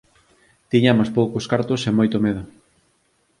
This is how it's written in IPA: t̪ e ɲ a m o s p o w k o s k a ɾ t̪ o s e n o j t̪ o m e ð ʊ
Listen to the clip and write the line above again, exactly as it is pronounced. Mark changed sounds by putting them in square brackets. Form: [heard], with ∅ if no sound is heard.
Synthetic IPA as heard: t̪ [i] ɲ a m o s p o w k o s k a ɾ t̪ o s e [m] o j t̪ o m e ð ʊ